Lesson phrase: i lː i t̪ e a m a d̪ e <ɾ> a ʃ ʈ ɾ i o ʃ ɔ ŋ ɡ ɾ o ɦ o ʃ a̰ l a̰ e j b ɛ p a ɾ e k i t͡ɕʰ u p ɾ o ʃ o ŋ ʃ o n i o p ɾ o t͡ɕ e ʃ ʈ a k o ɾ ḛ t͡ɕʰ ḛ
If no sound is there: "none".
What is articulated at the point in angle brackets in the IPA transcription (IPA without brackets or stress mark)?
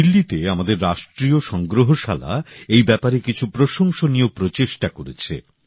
ɾː